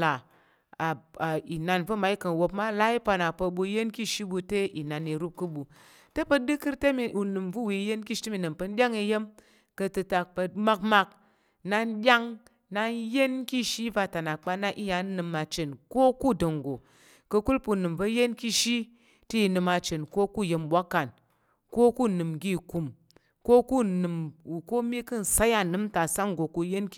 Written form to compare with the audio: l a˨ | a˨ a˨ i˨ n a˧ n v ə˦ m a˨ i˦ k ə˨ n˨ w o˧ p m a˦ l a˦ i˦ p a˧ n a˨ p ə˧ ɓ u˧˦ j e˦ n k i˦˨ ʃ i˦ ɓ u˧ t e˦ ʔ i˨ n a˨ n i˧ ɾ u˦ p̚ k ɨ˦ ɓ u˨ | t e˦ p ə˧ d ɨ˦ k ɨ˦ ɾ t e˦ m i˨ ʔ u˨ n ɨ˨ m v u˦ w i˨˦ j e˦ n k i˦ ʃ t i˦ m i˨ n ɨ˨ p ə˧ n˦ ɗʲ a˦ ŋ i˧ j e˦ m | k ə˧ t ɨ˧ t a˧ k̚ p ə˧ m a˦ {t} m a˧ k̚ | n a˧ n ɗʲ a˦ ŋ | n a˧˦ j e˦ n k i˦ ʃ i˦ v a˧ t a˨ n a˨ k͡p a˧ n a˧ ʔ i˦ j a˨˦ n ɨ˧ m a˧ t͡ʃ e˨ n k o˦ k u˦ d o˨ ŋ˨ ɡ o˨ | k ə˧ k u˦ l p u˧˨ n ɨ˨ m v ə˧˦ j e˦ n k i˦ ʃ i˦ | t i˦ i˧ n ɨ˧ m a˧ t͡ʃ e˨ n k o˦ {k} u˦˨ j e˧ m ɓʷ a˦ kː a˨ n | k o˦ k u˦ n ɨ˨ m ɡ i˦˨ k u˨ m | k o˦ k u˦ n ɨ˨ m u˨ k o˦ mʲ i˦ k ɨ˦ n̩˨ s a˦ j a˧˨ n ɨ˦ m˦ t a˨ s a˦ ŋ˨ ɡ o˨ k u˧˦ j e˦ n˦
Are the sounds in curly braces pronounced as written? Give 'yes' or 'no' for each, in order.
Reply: no, yes

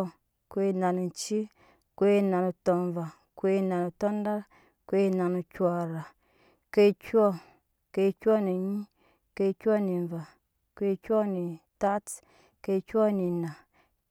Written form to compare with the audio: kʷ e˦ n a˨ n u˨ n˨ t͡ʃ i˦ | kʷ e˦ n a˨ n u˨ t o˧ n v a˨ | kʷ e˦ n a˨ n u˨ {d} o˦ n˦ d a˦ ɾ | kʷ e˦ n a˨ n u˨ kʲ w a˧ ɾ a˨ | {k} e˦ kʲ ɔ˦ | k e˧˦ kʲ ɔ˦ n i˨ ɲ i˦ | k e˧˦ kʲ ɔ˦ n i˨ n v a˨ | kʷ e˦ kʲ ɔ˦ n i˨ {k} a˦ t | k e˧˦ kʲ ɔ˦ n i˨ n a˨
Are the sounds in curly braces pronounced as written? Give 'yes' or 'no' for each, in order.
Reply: no, yes, no

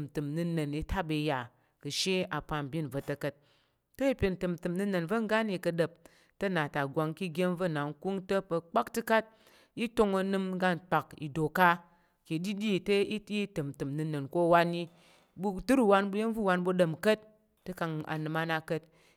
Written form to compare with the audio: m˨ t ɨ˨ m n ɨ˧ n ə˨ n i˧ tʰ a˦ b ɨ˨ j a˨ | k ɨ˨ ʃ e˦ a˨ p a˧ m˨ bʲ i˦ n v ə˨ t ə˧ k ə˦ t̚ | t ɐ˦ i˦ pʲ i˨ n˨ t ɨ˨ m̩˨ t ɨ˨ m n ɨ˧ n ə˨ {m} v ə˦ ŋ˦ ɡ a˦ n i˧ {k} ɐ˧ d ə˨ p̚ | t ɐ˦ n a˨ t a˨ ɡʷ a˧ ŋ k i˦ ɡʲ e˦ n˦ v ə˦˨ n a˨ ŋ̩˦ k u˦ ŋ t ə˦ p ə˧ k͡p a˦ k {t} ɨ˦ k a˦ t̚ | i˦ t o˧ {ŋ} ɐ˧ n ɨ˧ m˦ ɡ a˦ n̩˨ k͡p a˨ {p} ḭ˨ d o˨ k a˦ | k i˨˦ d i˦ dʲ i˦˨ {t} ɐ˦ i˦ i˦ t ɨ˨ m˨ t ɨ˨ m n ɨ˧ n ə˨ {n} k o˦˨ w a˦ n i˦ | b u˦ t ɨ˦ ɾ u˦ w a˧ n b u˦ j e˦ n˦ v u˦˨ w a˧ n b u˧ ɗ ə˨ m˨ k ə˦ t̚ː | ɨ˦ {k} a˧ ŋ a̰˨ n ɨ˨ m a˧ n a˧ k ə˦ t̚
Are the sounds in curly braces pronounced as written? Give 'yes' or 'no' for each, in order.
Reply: no, yes, yes, yes, no, yes, yes, yes

